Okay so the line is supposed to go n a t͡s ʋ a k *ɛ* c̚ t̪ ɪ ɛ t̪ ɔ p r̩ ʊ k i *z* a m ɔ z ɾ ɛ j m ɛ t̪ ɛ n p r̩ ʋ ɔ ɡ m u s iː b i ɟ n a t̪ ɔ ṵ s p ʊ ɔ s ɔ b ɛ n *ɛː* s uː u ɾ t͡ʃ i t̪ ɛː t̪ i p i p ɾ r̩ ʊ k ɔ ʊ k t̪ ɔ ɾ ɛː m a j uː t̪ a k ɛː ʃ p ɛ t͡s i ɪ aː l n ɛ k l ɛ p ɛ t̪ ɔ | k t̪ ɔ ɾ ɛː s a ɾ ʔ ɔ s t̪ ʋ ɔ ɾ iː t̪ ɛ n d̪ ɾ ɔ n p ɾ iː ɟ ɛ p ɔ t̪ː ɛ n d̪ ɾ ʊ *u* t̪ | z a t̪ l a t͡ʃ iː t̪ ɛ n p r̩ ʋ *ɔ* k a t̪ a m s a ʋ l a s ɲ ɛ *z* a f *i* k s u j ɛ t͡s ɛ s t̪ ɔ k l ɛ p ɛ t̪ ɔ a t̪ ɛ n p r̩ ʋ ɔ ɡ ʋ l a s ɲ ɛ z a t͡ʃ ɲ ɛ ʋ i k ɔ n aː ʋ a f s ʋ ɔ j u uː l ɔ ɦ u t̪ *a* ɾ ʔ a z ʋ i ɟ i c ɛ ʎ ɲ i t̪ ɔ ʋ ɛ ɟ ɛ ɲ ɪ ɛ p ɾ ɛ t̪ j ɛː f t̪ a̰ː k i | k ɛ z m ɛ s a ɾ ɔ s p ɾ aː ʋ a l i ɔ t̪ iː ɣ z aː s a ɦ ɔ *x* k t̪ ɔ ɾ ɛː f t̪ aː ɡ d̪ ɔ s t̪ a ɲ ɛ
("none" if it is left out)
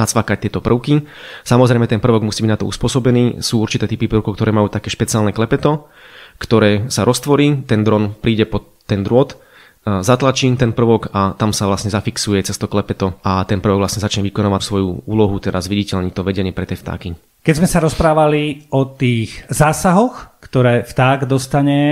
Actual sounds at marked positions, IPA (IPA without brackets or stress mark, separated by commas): a, s, iː, ɔ, ɔ, z, i, ɛ, x